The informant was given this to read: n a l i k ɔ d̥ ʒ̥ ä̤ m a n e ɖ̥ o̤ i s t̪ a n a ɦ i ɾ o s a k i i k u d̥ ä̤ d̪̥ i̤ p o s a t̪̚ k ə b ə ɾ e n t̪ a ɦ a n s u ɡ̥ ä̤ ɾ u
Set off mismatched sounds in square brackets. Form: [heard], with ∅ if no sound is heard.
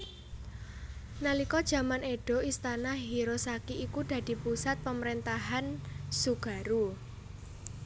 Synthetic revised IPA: n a l i k ɔ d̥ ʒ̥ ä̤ m a n e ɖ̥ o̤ i s t̪ a n a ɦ i ɾ o s a k i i k u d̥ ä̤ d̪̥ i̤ p [u] s a t̪̚ [p] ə [m] ə ɾ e n t̪ a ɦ a n s u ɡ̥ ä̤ ɾ u